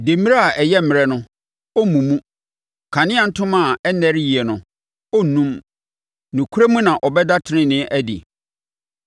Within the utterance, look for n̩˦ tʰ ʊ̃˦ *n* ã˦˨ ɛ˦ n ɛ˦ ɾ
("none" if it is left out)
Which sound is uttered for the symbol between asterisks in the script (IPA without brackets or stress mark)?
m